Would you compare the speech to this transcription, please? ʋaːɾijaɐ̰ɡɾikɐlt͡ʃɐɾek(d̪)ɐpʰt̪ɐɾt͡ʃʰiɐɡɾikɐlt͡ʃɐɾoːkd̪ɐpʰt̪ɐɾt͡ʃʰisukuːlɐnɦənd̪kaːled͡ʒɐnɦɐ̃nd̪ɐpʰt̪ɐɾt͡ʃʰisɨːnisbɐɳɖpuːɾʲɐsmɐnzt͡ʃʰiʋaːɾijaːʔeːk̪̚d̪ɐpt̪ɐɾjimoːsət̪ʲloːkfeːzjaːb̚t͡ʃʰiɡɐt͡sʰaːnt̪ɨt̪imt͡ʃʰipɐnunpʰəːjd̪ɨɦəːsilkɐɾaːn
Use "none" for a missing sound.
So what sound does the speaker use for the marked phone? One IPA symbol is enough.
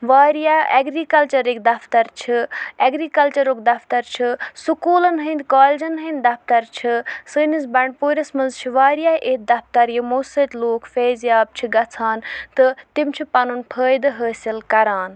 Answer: d̪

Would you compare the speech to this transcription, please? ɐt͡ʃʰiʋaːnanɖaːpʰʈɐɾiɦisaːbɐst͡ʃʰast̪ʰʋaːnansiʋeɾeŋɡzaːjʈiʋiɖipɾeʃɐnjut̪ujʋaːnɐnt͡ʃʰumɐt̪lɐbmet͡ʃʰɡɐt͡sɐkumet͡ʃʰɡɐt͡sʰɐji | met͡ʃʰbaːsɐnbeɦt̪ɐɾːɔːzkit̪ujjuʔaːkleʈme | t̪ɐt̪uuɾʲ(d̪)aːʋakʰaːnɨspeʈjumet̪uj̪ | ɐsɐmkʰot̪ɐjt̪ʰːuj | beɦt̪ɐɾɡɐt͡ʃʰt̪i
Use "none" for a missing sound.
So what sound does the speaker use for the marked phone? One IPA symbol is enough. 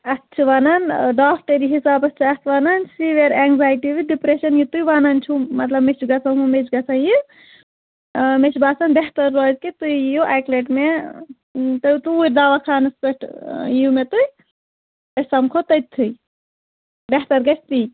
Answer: d̪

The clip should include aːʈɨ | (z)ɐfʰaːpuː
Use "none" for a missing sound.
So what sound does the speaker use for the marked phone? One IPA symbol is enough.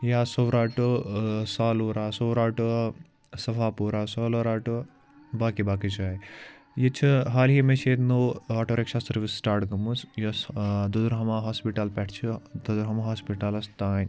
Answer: s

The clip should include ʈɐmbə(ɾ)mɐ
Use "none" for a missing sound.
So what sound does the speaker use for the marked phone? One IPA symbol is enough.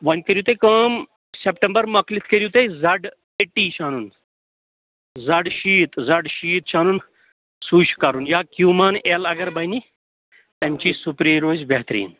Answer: ɾ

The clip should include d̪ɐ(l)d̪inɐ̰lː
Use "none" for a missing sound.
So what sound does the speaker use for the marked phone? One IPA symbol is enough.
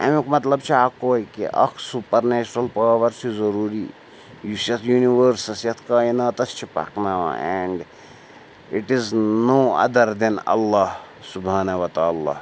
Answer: ɾ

